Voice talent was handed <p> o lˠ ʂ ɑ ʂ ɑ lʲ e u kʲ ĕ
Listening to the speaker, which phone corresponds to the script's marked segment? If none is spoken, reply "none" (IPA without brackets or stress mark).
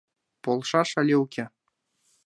p